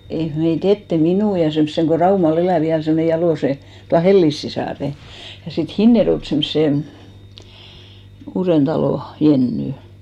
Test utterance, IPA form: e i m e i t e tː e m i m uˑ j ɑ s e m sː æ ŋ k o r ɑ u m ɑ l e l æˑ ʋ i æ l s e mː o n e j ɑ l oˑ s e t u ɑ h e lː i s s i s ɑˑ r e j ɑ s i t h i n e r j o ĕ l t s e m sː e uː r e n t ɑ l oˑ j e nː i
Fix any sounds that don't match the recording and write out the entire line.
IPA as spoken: e i m e i t e tː e m i n uˑ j ɑ s e m sː e ŋ k o r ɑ u m ɑ l e l æˑ ʋ i æ l s e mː o n e j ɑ l oˑ s e t u ɑ h e lː i s s i s ɑˑ r e j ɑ s i t h i nː e r j o ĕ l t s e m sː e uː r e n t ɑ l oˑ j e nː y

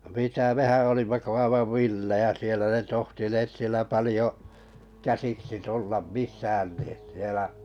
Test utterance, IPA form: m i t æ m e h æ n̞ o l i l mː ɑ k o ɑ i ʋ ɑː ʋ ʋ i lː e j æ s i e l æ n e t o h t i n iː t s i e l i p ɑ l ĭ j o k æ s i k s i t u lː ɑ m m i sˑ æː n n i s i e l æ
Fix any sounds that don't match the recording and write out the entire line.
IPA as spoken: m i t æ m e h æ n̞ o l i mː ɑ k o ɑ i ʋ ɑ ʋ ʋ i lː e j æ s i e l æ n e t o h t i n eː t s i e l æ p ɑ l ĭ j o k æ s i k s i t u lː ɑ m m i sˑ æː n n i s i e l æ

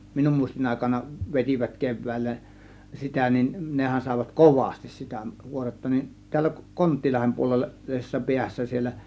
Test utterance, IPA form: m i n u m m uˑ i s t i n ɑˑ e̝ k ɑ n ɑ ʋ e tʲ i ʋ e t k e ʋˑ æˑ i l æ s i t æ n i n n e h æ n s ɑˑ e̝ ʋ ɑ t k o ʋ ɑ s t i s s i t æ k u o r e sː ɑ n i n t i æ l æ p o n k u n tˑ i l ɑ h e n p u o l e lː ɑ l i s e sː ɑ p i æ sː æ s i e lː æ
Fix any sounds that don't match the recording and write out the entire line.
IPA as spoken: m i n u m m uˑ i s t i n ɑˑ e̝ k ɑ n ɑ ʋ e tʲ i ʋ æ t k e ʋˑ æˑ i lː æ s i t æ n i n n e h æ n s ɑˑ e̝ ʋ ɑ t k o ʋ ɑ s t i s s i t æ k u o r e tː ɑ n i n t i æ lː æ k o n k o n tˑ i l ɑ h e m p u o l e lː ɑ l i s e sː ɑ p i æ sː æ s i e lː æ

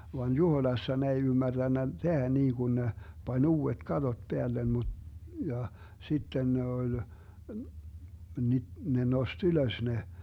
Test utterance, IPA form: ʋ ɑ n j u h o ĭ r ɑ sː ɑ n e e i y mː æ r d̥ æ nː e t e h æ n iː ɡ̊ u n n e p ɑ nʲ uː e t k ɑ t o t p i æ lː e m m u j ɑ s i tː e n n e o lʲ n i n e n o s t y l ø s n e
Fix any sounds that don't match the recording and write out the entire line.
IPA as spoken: ʋ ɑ n j u h o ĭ l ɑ sː ɑ n e e i y mː æ r d̥ æ nː æ t e h æ n iː ɡ̊ u n n e p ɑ nʲ uː e t k ɑ t o t p e æ lː e m m u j ɑ s i tː e n n e o lʲ n i n e n o s t y l ø s n e

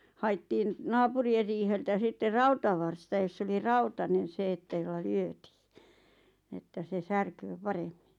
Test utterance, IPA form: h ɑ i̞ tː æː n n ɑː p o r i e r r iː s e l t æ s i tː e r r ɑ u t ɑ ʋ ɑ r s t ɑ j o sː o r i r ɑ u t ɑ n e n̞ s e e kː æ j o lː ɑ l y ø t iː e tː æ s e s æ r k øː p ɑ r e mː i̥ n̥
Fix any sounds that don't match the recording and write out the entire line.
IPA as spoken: h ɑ i̞ tː iː n n ɑː p u r i e r r iː h e l t æ s i tː e r r ɑ u t ɑ ʋ ɑ r s t ɑ j o sː o l i r ɑ u t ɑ n e n̞ s e e tː æ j o lː ɑ l y ø t iː e tː æ s e s æ r k øː p ɑ r e mː i̥ n̥

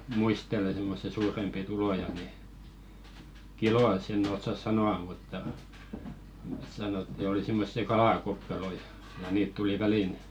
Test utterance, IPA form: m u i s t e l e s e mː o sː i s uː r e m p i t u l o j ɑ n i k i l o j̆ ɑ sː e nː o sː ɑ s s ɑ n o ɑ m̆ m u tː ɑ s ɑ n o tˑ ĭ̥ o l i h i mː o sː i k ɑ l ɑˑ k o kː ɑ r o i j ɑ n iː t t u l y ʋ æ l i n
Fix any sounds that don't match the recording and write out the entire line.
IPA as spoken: m u i s t e l e s e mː o sː i s uː r e m p i t u l o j ɑ n i k i l o j̆ ɑ sː e nː o sː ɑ s s ɑ n o ɑ m̆ m u tː ɑ s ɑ n o tˑ ĭ̥ o l i s i mː o sː i k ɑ l ɑˑ k o kː ɑ r o i j ɑ n iː t t u l i ʋ æ l i n

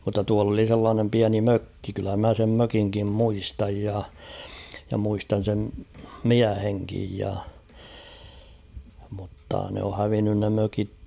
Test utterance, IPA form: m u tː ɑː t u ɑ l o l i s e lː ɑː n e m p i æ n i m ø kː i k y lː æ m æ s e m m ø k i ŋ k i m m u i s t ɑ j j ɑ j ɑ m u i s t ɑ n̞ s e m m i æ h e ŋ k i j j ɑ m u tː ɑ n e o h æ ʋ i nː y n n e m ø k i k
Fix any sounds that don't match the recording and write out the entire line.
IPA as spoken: m u tː ɑ t u ɑ l o l i s e lː ɑː n e m p i æ n i m ø kː i k y lː æ m æ s e m m ø k i ŋ k i m m u i s t ɑ j j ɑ j ɑ m u i s t ɑ n̞ s e m m i æ h e ŋ k i j j ɑ m u tː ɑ n e o h æ ʋ i nː y n n e m ø k i k

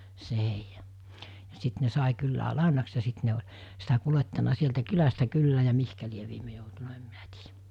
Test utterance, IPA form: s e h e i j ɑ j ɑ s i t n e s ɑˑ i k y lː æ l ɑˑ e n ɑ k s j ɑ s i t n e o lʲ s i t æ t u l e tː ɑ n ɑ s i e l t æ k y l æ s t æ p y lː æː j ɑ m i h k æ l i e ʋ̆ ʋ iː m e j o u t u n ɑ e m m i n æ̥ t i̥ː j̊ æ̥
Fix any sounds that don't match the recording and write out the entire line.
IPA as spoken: s e h e i j ɑ j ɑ s i t n e s ɑˑ i k y lː æ l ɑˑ e n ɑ k s j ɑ s i t n e o lʲ s i t æ k u l e tː ɑ n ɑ s i e l t æ k y l æ s t æ k y lː æː j ɑ m i h k æ l i e ʋ̆ ʋ iː m e j o u t u n ɑ e m m i n æ̥ t i̥ː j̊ æ̥

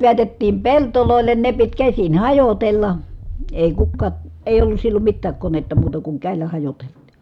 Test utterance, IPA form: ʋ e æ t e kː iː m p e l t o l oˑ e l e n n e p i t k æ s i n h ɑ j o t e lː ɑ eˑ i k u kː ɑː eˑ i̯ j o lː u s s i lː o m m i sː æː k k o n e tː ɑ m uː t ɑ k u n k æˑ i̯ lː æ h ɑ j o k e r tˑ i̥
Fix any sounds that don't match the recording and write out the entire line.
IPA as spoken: ʋ e æ t e tː iː m p e l t o l oˑ e lː e n n e p i t k æ s i n h ɑ j o t e lː ɑ eˑ i k u kː ɑː eˑ i̯ j o lː u s s i lː o m m i tː æː k k o n e tː ɑ m uː t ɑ k u ŋ k æˑ i̯ lː æ h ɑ j o t e l tˑ i̥

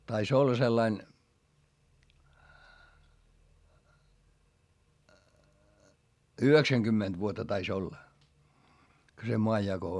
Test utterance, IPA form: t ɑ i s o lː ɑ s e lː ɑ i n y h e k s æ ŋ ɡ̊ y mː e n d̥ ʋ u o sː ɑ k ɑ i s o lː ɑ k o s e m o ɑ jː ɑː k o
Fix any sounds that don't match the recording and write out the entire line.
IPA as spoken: t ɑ i s o lː ɑ s e lː ɑ i n y h e k s æ ŋ ɡ̊ y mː e n d̥ ʋ u o tː ɑ t ɑ i s o lː ɑ k o s e m o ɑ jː ɑ k o

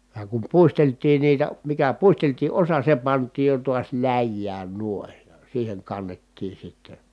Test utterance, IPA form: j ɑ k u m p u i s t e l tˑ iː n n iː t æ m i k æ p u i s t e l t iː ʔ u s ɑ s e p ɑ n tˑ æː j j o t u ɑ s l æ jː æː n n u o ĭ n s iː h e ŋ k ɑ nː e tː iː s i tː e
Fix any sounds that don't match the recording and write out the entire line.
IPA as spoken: j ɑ k u m p u i s t e l tˑ iː n n iː t æ m i k æ p u i s t e l t iː ʔ o s ɑ s e p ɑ n tˑ iː j j o t u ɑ s l æ jː æː n n u o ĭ n s iː h e ŋ k ɑ nː e tː iː s i tː e

